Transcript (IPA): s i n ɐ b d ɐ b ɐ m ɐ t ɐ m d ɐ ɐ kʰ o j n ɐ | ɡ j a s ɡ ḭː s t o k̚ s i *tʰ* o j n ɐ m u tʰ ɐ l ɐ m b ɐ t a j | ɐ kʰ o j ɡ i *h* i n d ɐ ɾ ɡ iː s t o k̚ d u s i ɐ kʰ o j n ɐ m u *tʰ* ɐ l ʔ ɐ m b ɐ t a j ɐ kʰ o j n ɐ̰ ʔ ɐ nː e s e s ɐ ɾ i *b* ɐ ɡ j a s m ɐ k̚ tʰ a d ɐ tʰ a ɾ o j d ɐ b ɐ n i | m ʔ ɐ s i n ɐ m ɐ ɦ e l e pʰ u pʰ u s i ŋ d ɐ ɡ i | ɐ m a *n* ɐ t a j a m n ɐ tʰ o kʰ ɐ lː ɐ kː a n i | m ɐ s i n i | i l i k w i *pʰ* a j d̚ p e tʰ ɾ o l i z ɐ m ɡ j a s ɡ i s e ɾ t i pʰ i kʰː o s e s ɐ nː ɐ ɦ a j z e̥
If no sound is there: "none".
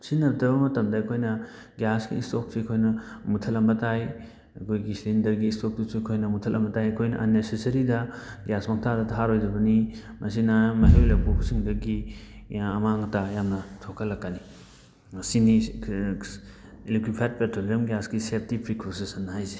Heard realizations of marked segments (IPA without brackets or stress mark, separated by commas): kʰ, s, tʰ, d, ŋ, pʰ